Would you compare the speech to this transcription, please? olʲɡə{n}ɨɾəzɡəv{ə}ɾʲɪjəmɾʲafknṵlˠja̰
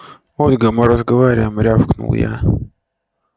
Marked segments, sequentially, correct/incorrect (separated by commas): incorrect, incorrect